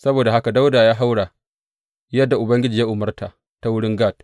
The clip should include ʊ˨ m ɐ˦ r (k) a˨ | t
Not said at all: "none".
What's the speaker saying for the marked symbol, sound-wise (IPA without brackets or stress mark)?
t